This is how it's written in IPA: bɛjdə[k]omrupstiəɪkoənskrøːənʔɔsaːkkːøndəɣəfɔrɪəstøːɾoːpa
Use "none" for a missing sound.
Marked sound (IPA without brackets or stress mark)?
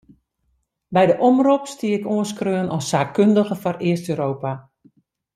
ʔ